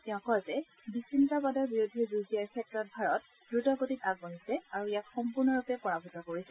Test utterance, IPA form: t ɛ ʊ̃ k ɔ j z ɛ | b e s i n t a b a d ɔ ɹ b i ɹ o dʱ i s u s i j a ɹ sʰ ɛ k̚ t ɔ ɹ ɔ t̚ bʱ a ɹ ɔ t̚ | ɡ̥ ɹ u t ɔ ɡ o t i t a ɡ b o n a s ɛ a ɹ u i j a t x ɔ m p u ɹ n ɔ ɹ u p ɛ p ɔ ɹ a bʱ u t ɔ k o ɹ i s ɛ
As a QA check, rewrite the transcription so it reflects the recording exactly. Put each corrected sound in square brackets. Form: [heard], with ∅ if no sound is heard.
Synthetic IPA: t ɛ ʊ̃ k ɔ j z ɛ | b [i] s i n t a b a d ɔ ɹ b i ɹ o dʱ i [z] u [z] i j a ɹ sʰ ɛ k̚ t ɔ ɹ ɔ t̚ bʱ a ɹ ɔ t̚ | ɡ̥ ɹ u t ɔ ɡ o t i t a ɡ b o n [i] s ɛ a ɹ u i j a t x ɔ m p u ɹ n ɔ ɹ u p ɛ p ɔ ɹ a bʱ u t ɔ k o ɹ i s ɛ